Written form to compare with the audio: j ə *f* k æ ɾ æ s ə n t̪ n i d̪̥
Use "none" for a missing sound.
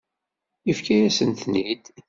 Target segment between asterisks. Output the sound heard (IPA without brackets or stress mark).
f